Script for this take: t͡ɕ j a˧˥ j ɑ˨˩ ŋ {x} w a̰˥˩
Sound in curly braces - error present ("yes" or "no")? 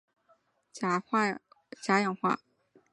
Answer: no